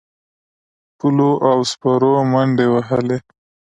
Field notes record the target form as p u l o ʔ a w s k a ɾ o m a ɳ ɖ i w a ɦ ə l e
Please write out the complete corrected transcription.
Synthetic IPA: p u l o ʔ a w s p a ɾ o m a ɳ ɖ e w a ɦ ə l e

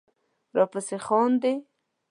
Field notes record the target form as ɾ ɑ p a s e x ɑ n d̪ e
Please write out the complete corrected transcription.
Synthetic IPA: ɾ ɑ p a s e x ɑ n d̪ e

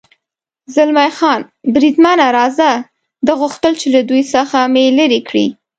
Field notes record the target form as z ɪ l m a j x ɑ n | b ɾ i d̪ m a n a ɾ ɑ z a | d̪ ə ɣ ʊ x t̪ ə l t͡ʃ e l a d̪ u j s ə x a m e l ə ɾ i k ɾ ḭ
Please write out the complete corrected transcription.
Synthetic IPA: z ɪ l m a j x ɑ n | b ɾ i d̪ m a n a ɾ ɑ z a | d̪ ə ɣ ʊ x t̪ ə l t͡ʃ e l a d̪ u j s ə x a m e l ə ɾ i k ɽ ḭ

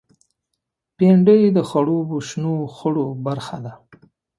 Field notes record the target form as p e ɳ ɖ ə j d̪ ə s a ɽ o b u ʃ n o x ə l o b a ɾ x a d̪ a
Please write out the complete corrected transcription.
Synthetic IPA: p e ɳ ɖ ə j d̪ ə x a ɽ o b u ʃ n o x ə ɽ o b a ɾ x a d̪ a

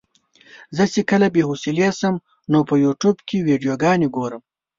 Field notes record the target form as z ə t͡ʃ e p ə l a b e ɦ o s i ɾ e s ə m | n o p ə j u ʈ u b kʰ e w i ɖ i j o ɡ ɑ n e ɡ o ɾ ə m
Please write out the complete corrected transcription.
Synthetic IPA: z ə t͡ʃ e k ə l a b e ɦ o s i l e s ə m | n o p ə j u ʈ u b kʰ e w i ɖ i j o ɡ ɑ n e ɡ o ɾ ə m

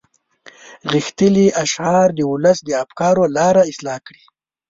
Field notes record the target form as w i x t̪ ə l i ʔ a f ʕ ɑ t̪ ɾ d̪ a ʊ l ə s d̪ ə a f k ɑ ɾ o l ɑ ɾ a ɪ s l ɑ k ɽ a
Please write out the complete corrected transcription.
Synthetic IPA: ɣ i x t̪ ə l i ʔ a ʃ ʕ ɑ ɾ d̪ ə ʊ l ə s d̪ ə a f k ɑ ɾ o l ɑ ɾ a ɪ s l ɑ k ɽ i

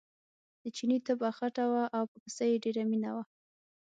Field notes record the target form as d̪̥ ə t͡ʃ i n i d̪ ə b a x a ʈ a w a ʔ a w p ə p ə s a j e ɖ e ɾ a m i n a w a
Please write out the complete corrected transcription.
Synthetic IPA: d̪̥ ə t͡ʃ i n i t̪ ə b a x a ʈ a w a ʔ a w p ə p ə s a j e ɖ e ɾ a m i n a w a

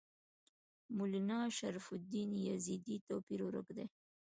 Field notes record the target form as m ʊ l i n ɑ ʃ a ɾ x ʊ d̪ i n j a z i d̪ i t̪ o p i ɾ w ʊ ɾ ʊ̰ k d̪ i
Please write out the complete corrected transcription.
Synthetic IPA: m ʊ l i n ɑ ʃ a ɾ f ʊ d̪ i n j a z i d̪ i t̪ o p i ɾ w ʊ ɾ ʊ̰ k d̪ e

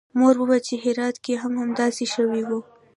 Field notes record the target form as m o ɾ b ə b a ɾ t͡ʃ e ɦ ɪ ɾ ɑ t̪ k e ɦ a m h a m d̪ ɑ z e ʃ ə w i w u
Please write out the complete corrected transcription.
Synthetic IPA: m o ɾ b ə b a t͡ʃ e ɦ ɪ ɾ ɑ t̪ k e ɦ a m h a m d̪ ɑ s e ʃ ə w i w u

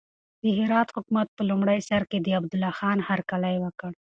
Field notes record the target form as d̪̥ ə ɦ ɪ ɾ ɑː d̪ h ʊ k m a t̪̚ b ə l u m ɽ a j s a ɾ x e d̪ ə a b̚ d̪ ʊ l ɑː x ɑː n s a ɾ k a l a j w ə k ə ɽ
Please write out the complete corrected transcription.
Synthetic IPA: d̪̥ ə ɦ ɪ ɾ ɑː t̪ h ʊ k m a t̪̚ p ə l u m ɽ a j s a ɾ k e d̪ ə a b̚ d̪ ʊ l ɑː x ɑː n h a ɾ k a l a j w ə k ə ɽ

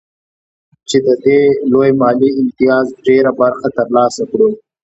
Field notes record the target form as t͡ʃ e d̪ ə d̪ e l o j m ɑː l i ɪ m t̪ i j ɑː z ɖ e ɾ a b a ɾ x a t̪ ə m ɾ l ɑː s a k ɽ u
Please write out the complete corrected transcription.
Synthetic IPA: t͡ʃ e d̪ ə d̪ e l o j m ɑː l i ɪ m t̪ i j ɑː z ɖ e ɾ a b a ɾ x a t̪ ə ɾ l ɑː s a k ɽ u

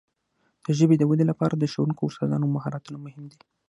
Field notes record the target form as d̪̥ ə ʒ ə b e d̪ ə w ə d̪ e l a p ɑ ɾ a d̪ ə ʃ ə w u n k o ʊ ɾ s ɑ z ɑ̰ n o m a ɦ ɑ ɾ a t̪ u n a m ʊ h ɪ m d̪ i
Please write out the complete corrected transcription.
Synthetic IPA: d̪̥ ə ʒ ə b e d̪ ə w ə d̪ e l a p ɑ ɾ a d̪ ə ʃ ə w u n k o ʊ ɾ s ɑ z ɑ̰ n o m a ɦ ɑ ɾ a t̪ u n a m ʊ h ɪ m d̪ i

